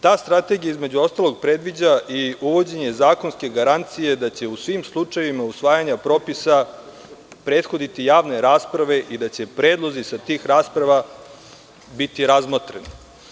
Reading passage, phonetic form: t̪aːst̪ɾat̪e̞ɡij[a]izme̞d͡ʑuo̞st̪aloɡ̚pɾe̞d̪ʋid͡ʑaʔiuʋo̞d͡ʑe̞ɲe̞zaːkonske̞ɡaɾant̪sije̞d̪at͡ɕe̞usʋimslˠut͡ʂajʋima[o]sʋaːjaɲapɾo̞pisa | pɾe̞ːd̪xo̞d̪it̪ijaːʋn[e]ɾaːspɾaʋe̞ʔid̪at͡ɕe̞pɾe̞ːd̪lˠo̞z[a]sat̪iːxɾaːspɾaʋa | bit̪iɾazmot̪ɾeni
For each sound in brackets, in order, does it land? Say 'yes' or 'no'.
yes, no, yes, no

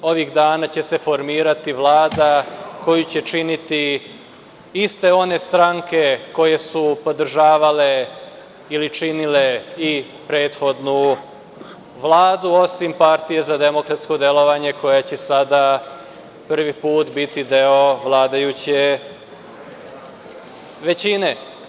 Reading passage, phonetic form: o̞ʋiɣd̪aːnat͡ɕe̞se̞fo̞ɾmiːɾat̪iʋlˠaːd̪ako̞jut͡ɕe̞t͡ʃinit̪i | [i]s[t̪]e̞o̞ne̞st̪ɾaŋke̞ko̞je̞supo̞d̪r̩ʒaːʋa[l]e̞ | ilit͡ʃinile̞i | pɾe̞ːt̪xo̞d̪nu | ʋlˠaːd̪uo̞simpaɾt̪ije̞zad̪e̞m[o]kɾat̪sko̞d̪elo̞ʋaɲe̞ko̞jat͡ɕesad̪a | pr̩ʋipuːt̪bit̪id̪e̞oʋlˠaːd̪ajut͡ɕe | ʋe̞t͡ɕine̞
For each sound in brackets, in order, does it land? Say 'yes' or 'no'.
yes, yes, yes, yes

